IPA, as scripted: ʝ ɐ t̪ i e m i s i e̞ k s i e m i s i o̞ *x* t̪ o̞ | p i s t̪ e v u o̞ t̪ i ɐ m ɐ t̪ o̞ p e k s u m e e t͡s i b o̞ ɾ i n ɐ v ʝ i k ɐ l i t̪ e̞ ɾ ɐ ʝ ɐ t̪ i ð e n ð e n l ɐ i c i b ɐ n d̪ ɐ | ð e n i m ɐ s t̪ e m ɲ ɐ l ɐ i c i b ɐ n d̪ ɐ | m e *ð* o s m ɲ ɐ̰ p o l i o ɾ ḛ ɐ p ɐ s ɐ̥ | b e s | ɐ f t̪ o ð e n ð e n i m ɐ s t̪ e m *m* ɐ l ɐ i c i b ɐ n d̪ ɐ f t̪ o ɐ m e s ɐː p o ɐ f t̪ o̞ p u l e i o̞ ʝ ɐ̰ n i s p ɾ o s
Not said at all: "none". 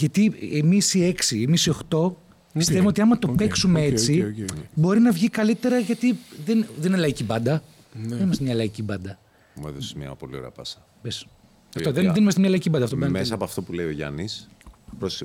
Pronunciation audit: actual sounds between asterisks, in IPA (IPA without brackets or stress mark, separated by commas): x, ð, ɲ